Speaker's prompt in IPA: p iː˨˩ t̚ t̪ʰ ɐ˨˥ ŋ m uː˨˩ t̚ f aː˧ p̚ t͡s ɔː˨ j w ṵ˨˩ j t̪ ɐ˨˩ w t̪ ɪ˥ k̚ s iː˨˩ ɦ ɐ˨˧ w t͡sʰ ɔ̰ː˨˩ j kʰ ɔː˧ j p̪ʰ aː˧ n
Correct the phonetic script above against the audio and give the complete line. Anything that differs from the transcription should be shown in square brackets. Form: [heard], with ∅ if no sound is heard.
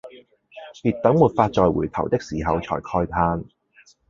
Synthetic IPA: p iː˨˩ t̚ [t̪] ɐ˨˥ ŋ m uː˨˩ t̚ f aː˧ [t̚] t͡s ɔː˨ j w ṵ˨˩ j [t̪ʰ] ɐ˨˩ w t̪ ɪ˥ k̚ s iː˨˩ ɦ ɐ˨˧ w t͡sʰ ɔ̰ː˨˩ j kʰ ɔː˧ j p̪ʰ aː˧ n